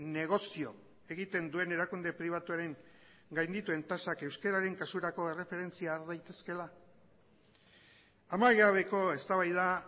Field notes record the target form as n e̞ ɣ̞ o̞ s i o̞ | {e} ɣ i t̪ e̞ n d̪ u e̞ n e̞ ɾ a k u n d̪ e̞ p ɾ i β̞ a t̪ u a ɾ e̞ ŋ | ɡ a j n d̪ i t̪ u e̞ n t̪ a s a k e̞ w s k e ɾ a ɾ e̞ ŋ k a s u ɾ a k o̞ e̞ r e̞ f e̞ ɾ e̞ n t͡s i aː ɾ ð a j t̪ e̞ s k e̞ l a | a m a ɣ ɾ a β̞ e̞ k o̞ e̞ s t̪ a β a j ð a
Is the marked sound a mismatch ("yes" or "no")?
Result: no